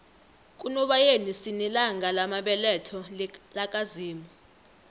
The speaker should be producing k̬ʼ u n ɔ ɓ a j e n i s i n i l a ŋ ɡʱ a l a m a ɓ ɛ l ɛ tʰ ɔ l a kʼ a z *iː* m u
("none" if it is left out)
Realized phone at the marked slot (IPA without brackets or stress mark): iː